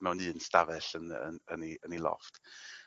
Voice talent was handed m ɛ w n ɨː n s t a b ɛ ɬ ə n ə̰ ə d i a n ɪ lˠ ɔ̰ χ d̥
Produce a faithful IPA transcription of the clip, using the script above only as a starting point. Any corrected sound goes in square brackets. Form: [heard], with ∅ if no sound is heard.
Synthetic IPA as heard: m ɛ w n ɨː n s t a [v] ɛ ɬ ə n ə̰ ə [n] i [ə] n [i] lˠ ɔ̰ [f] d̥